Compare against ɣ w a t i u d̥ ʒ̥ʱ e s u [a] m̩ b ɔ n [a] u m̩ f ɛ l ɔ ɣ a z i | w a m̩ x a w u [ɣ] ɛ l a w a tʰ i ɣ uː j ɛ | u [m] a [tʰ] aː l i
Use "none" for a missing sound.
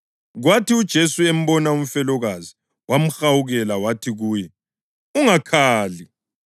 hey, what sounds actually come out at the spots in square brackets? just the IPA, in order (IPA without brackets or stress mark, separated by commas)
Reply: e, a, ɣ, ŋ, kʰ